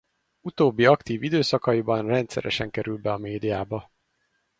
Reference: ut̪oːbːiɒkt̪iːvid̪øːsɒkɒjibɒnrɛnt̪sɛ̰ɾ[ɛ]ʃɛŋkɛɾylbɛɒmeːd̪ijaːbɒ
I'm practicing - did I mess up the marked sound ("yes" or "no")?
no